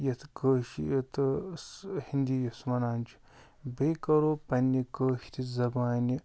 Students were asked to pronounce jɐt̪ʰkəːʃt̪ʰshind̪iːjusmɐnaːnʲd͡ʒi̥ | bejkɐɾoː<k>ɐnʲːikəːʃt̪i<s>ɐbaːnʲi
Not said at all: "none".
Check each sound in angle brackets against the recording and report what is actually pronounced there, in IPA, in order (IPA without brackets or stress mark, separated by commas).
p, z